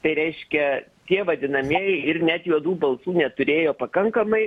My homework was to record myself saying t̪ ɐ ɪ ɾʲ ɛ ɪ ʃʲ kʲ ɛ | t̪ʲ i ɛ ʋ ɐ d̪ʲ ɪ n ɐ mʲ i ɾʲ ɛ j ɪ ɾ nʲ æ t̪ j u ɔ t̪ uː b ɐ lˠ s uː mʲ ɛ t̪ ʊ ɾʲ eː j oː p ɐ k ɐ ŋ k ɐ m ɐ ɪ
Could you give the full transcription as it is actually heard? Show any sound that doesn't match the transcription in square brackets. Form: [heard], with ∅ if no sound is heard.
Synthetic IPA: t̪ ɐ ɪ ɾʲ ɛ ɪ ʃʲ kʲ ɛ | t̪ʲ i ɛ ʋ ɐ d̪ʲ ɪ n ɐ mʲ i [∅] ɛ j ɪ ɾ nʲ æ t̪ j u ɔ [d̪] uː b ɐ lˠ s uː [nʲ] ɛ t̪ ʊ ɾʲ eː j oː p ɐ k ɐ ŋ k ɐ m ɐ ɪ

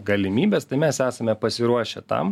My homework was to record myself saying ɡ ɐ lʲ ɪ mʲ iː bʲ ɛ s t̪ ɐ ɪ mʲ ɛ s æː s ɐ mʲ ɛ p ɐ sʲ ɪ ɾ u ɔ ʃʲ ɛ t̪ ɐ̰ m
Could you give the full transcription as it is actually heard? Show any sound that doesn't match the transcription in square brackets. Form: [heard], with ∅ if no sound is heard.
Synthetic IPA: ɡ ɐ lʲ ɪ mʲ iː bʲ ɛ s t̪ ɐ ɪ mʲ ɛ s æː s ɐ mʲ ɛ p ɐ sʲ ɪ ɾ u ɔ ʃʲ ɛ t̪ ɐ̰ m

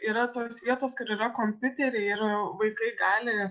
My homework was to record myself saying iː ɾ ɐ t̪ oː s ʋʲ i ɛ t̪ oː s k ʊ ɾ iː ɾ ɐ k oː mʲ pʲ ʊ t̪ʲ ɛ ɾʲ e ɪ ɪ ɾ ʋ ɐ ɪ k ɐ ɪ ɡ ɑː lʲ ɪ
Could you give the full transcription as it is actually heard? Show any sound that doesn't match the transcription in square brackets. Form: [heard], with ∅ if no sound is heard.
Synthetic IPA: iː ɾ ɐ t̪ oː s ʋʲ i ɛ t̪ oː s k ʊ ɾ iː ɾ ɐ k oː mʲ pʲ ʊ t̪ʲ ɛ ɾʲ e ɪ ɪ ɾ ʋ ɐ ɪ k ɐ ɪ ɡ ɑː lʲ ɪ

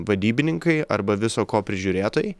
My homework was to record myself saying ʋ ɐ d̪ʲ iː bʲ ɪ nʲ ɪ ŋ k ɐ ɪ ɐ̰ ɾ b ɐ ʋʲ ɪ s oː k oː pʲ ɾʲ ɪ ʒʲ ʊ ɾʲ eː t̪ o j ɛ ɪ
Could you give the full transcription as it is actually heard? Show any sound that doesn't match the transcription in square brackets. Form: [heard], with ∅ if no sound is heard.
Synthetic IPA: ʋ ɐ d̪ʲ iː bʲ ɪ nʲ ɪ ŋ k ɐ ɪ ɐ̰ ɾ b ɐ ʋʲ ɪ s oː k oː pʲ ɾʲ ɪ ʒʲ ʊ ɾʲ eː t̪ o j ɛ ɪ

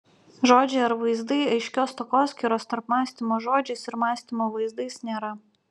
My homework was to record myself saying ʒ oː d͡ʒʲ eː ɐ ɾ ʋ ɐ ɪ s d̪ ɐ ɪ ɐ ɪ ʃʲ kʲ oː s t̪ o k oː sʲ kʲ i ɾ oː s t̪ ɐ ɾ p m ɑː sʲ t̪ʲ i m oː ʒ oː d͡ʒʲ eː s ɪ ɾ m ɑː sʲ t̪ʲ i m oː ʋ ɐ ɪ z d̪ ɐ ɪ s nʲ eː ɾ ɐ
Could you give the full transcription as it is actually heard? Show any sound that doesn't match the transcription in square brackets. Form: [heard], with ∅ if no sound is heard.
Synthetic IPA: ʒ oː d͡ʒʲ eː ɐ ɾ ʋ ɐ ɪ [z] d̪ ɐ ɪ ɐ ɪ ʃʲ kʲ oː s t̪ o k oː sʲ kʲ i ɾ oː s t̪ ɐ ɾ p m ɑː sʲ t̪ʲ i m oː ʒ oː d͡ʒʲ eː s ɪ ɾ m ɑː sʲ t̪ʲ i m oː ʋ ɐ ɪ z d̪ ɐ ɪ s nʲ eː ɾ ɐ

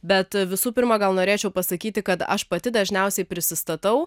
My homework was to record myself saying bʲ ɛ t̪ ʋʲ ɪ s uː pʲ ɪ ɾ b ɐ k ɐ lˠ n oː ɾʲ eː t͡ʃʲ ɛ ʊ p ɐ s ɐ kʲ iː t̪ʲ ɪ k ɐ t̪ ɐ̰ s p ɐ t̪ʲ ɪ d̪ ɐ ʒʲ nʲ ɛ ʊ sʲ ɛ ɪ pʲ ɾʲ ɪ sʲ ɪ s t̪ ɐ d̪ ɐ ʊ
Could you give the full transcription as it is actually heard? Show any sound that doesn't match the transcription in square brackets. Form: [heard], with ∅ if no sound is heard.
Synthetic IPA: bʲ ɛ t̪ ʋʲ ɪ s uː pʲ ɪ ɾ [m] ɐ [ɡ] ɐ lˠ n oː ɾʲ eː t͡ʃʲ ɛ ʊ p ɐ s ɐ kʲ iː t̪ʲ ɪ k ɐ t̪ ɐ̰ [ʃ] p ɐ t̪ʲ ɪ d̪ ɐ ʒʲ nʲ ɛ ʊ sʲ ɛ ɪ pʲ ɾʲ ɪ sʲ ɪ s t̪ ɐ [t̪] ɐ ʊ

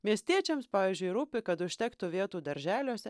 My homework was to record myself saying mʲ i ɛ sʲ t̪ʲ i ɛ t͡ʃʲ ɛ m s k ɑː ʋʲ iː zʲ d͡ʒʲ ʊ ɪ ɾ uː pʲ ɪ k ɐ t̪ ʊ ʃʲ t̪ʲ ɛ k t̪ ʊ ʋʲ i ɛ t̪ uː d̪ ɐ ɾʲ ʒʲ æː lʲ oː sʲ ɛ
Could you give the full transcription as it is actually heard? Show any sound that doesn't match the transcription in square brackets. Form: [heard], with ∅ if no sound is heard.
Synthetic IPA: mʲ i ɛ sʲ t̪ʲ i ɛ t͡ʃʲ ɛ m s [p] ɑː ʋʲ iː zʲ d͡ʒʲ ʊ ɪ ɾ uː pʲ ɪ k ɐ t̪ ʊ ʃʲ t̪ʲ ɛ k t̪ ʊ ʋʲ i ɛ t̪ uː d̪ ɐ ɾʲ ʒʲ æː lʲ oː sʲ ɛ

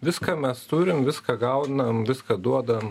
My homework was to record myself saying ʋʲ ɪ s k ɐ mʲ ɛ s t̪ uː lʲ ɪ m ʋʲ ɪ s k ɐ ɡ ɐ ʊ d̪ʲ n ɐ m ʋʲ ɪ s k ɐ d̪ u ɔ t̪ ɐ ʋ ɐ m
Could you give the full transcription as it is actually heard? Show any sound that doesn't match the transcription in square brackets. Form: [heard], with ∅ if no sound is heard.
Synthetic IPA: ʋʲ ɪ s k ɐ mʲ ɛ s t̪ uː [ɾʲ] ɪ m ʋʲ ɪ s k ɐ ɡ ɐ ʊ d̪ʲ n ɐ m ʋʲ ɪ s k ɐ d̪ u ɔ [d̪] ɐ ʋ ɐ m

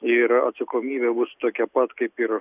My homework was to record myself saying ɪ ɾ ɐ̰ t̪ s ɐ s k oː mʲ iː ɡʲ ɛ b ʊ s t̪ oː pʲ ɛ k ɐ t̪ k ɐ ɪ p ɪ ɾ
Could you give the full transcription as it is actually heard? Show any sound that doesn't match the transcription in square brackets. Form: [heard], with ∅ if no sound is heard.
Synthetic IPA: ɪ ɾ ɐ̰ t̪ s ɐ [∅] k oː mʲ iː [bʲ] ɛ b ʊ s t̪ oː [kʲ] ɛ [p] ɐ t̪ k ɐ ɪ p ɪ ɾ

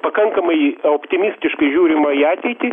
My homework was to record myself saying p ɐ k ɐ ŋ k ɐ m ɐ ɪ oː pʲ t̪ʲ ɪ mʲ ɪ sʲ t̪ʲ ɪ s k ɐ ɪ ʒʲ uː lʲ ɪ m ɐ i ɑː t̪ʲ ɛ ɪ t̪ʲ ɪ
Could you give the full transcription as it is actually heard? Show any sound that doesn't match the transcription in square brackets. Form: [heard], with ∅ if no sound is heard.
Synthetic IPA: p ɐ k ɐ ŋ k ɐ m ɐ ɪ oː pʲ t̪ʲ ɪ mʲ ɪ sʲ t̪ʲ ɪ [ʃ] k ɐ ɪ ʒʲ uː [ɾʲ] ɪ m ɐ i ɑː t̪ʲ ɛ ɪ t̪ʲ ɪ

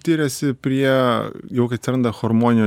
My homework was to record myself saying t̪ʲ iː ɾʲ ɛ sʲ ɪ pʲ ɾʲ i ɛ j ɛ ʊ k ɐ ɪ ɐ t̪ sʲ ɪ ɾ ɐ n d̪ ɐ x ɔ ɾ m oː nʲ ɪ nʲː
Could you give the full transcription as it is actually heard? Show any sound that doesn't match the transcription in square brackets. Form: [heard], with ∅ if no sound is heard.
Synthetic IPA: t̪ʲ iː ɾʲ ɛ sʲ ɪ pʲ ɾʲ i ɛ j ɛ ʊ k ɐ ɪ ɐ t̪ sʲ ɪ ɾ ɐ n d̪ ɐ x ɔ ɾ m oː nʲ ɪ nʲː

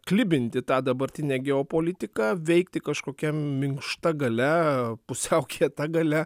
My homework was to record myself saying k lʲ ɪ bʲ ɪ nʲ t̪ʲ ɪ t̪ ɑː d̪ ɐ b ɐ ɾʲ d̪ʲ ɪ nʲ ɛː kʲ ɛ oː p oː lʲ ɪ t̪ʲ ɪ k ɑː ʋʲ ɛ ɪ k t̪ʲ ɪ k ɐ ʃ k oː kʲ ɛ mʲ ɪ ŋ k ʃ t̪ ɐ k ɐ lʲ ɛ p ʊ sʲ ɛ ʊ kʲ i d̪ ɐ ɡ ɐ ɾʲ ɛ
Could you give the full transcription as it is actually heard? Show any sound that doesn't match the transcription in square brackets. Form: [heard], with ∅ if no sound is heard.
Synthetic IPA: k lʲ ɪ bʲ ɪ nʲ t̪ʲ ɪ t̪ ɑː d̪ ɐ b ɐ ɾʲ [t̪ʲ] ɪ nʲ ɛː [ɡʲ] ɛ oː p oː lʲ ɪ t̪ʲ ɪ k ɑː ʋʲ ɛ ɪ k t̪ʲ ɪ k ɐ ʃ k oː kʲ ɛ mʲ ɪ ŋ k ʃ t̪ ɐ [ɡ] ɐ lʲ ɛ p ʊ sʲ ɛ ʊ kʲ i [t̪] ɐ ɡ ɐ [lʲ] ɛ

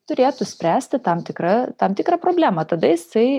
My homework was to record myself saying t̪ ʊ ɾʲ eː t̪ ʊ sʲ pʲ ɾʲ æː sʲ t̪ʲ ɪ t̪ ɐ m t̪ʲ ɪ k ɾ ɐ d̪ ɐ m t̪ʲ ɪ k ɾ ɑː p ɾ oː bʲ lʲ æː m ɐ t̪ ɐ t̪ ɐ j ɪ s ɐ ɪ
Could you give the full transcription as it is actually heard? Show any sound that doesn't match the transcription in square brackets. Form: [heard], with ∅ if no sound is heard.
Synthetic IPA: t̪ ʊ ɾʲ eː t̪ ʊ sʲ pʲ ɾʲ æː sʲ t̪ʲ ɪ t̪ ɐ m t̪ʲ ɪ k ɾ ɐ [t̪] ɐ m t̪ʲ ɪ k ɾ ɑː p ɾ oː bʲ lʲ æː m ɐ t̪ ɐ [d̪] ɐ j ɪ s ɐ ɪ

